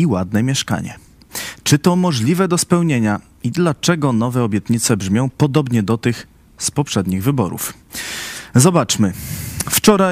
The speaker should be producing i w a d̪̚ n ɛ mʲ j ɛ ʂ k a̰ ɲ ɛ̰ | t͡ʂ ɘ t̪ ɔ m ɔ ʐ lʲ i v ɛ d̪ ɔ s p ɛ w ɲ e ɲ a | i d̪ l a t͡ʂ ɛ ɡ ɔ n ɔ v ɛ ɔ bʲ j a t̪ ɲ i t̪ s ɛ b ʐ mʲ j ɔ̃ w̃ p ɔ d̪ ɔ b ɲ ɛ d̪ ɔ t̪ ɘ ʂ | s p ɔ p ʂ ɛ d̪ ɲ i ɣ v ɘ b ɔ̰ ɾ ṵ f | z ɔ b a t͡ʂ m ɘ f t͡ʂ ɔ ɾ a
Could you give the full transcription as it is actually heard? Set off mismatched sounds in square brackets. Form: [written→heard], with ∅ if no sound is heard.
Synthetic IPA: i w a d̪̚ n ɛ mʲ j ɛ ʂ k a̰ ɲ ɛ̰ | t͡ʂ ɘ t̪ ɔ m ɔ ʐ lʲ i v ɛ d̪ ɔ s p ɛ w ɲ e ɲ a | i d̪ l a t͡ʂ ɛ ɡ ɔ n ɔ v ɛ ɔ bʲ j [a→ɛ] t̪ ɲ i t̪ s ɛ b ʐ mʲ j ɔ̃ w̃ p ɔ d̪ ɔ b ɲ ɛ d̪ ɔ t̪ ɘ [ʂ→x] | s p ɔ p ʂ ɛ d̪ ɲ i ɣ v ɘ b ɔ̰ ɾ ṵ f | z ɔ b a t͡ʂ m ɘ f t͡ʂ ɔ ɾ a